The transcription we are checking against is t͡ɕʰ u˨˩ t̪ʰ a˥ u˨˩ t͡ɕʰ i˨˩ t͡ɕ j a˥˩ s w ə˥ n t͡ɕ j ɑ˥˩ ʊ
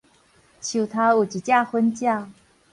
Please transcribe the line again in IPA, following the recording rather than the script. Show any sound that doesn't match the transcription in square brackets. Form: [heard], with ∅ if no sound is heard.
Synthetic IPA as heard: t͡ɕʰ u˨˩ t̪ʰ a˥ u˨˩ [t͡ɕ] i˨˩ t͡ɕ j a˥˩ [x] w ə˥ n t͡ɕ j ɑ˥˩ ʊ